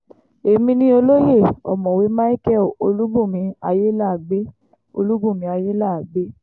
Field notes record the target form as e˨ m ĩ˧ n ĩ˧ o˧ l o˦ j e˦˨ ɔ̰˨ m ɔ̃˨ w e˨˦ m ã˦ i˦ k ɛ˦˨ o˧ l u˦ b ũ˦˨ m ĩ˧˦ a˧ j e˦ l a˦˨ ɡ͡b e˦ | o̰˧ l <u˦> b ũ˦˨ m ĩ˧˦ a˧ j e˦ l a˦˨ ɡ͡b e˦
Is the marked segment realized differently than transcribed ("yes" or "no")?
no